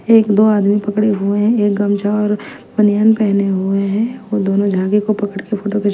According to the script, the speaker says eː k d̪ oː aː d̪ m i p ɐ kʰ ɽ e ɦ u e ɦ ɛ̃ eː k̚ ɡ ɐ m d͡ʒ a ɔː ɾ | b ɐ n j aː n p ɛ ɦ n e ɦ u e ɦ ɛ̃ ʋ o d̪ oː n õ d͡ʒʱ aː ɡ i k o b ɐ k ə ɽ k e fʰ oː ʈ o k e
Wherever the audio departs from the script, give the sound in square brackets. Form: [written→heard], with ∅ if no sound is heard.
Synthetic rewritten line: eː k d̪ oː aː d̪ m i p ɐ [kʰ→k] ɽ e ɦ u e ɦ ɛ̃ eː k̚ ɡ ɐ m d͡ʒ a ɔː ɾ | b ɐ n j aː n p ɛ ɦ n e ɦ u e ɦ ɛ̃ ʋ o d̪ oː n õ d͡ʒʱ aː ɡ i k o [b→p] ɐ k ə ɽ k e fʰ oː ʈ o k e

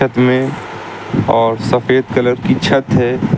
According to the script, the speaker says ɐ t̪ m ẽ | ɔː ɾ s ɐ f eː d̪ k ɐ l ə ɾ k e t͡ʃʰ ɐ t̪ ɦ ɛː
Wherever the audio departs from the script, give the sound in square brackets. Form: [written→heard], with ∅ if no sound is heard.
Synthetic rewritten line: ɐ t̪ m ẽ | ɔː ɾ s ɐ f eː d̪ k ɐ l ə ɾ k [e→i] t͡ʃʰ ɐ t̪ ɦ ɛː

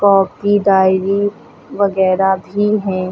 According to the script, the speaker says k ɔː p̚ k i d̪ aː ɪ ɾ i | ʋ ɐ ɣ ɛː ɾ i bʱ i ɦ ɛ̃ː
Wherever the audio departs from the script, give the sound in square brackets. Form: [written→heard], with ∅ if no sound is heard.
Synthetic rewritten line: k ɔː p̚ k i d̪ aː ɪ ɾ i | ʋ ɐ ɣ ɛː ɾ [i→a] bʱ i ɦ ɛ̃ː

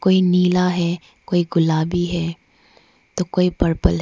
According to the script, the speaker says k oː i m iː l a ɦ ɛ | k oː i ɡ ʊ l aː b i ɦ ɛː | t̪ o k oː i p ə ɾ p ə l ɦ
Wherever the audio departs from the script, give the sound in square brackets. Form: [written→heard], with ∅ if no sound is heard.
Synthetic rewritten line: k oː i [m→n] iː l a ɦ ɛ | k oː i ɡ ʊ l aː b i ɦ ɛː | t̪ o k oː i p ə ɾ p ə l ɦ

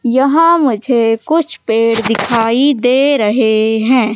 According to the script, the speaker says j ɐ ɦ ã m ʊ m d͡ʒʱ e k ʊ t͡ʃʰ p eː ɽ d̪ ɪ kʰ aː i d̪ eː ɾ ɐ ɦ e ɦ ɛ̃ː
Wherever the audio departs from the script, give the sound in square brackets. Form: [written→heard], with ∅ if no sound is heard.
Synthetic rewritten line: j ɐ ɦ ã m ʊ [m→∅] d͡ʒʱ e k ʊ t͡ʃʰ p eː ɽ d̪ ɪ kʰ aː i d̪ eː ɾ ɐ ɦ e ɦ ɛ̃ː

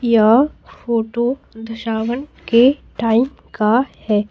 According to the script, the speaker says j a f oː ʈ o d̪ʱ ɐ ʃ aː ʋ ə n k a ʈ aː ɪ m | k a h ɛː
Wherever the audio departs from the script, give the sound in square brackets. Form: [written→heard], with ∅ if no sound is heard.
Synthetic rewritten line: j a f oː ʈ o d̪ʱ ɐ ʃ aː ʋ ə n k [a→e] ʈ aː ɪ m | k a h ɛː

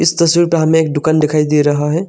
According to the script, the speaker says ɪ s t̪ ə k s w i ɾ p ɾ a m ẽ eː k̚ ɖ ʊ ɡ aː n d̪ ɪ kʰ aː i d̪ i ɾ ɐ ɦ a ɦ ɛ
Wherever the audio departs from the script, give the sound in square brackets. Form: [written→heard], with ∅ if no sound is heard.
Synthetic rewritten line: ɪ s t̪ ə [k→∅] s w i ɾ p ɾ a m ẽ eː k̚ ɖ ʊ [ɡ→k] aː n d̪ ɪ kʰ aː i d̪ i ɾ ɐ ɦ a ɦ ɛ

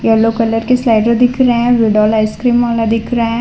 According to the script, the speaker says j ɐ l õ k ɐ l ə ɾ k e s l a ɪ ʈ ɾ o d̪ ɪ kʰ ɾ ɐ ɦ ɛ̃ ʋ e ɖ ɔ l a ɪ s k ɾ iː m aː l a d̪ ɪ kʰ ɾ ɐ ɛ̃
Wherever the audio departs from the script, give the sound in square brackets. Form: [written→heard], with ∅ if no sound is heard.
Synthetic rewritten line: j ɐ l [õ→o] k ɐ l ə ɾ k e s l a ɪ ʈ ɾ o d̪ ɪ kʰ ɾ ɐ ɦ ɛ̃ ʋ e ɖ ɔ l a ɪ s k ɾ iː m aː l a d̪ ɪ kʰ ɾ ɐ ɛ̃

